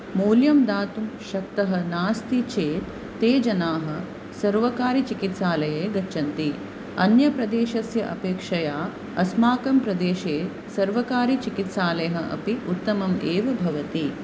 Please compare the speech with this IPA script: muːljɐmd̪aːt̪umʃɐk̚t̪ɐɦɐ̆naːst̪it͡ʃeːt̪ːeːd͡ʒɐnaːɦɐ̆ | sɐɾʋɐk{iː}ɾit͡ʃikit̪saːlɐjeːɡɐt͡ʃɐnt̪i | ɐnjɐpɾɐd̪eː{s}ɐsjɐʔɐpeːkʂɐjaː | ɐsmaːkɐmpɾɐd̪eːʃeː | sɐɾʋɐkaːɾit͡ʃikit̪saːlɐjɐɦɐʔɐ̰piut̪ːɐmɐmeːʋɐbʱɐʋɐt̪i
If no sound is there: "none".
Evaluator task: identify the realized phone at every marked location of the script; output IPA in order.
aː, ʃ

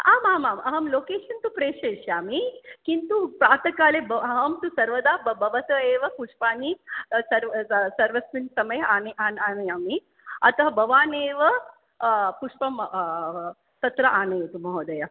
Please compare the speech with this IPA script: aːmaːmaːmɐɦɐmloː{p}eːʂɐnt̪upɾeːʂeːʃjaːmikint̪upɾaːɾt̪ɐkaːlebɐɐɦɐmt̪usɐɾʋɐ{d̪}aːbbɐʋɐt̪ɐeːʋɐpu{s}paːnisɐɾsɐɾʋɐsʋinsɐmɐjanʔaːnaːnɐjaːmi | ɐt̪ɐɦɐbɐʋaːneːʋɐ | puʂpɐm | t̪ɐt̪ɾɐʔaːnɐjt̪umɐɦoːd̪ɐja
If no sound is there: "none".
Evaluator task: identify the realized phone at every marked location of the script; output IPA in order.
k, d̪, ʂ

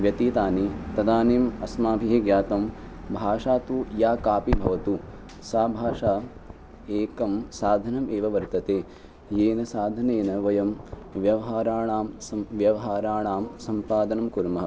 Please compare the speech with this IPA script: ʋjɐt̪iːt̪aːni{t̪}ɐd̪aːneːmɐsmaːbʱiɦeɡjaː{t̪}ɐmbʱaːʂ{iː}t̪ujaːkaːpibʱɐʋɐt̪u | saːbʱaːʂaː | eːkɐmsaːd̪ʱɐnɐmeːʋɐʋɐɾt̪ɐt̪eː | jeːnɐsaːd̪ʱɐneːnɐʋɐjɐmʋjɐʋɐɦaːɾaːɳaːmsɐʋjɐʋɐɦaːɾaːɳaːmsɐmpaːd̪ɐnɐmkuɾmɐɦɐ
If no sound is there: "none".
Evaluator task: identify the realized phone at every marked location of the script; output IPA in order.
t̪, t̪, aː

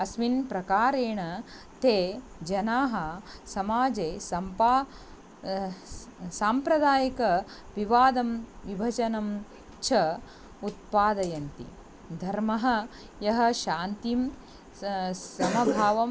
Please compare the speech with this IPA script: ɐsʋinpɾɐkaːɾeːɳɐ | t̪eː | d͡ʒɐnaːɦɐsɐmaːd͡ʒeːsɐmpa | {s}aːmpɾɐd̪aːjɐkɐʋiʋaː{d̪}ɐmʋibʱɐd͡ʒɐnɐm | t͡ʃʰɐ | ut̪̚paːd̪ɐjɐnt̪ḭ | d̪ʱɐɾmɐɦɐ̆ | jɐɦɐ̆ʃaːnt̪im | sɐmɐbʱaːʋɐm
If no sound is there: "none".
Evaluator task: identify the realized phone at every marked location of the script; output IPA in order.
s, d̪

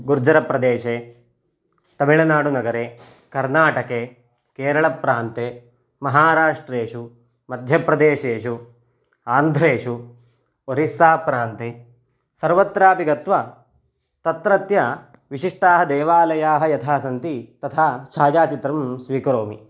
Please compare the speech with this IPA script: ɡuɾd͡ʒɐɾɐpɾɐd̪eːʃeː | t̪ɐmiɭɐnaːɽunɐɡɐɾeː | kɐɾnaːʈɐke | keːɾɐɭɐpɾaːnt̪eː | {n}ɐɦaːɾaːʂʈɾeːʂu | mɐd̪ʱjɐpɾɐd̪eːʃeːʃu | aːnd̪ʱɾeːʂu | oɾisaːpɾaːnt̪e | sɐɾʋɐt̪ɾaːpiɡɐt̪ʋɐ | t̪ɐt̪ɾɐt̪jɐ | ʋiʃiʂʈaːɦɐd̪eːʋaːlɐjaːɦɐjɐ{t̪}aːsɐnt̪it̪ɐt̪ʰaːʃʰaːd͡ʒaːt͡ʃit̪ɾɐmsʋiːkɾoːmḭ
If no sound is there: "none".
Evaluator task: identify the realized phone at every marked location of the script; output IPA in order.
m, t̪ʰ

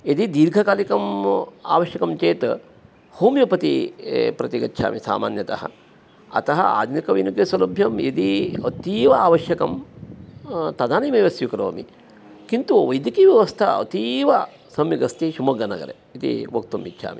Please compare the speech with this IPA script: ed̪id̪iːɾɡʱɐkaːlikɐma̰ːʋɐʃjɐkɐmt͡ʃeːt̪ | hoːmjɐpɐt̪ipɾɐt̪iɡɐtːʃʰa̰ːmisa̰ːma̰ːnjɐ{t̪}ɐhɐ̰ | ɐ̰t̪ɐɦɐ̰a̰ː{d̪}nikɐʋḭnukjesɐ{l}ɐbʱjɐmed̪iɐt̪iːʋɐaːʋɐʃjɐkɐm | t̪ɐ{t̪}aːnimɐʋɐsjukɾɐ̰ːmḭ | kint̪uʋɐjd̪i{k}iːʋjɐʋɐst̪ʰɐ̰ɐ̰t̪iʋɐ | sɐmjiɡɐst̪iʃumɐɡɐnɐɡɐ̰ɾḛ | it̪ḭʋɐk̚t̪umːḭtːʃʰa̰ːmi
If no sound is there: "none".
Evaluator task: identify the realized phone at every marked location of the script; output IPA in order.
t̪, d̪, l, d̪, k

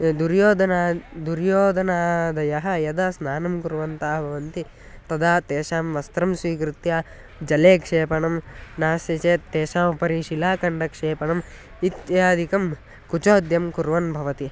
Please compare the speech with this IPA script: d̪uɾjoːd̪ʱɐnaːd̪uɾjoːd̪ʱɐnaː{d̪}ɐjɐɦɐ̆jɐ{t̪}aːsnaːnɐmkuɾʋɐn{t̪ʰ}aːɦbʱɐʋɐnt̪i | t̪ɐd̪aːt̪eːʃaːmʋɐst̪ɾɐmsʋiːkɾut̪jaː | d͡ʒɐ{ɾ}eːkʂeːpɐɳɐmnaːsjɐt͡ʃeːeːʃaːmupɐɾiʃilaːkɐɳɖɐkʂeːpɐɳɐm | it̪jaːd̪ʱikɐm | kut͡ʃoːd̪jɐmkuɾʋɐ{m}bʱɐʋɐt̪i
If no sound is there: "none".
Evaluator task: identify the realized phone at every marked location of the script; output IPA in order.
d̪, d̪, t̪, l, n

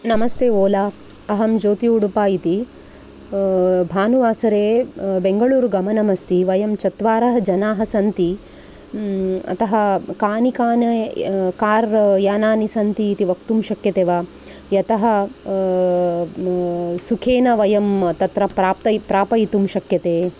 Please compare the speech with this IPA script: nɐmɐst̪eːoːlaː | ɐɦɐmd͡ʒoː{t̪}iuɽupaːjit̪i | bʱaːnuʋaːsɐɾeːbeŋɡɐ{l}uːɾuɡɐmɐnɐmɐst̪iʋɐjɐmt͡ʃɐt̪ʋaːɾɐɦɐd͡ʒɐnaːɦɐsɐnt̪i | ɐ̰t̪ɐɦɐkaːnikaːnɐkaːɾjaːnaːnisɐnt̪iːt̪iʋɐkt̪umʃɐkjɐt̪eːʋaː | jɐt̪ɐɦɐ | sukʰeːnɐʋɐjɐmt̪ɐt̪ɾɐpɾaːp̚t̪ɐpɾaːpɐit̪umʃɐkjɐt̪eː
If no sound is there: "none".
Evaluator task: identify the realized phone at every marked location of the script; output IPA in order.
t̪, ɭ

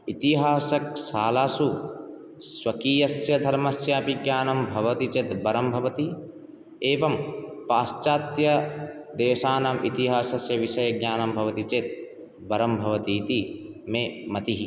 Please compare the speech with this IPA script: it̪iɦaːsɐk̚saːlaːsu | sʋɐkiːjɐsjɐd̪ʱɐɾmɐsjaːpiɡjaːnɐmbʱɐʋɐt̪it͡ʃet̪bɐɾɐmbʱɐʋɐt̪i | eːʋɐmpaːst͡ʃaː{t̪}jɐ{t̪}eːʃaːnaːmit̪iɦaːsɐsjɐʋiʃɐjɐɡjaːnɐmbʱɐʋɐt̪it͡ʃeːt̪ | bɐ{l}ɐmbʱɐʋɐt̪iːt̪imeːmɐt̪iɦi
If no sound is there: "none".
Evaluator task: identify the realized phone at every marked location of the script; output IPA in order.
t̪, d̪, ɾ

